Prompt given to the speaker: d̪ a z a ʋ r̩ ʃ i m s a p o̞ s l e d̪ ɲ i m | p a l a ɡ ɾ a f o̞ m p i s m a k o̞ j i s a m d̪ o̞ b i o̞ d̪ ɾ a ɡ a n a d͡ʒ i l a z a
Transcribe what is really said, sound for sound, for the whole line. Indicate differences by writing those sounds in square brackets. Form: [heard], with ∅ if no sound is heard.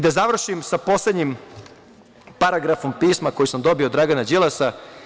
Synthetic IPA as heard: d̪ a z a ʋ r̩ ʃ i m s a p o̞ s l e d̪ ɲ i m | p a [ɾ] a ɡ ɾ a f o̞ m p [iː] s m a k o̞ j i s a m d̪ o̞ b i o̞ d̪ ɾ a ɡ a n a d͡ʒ i l a [s] a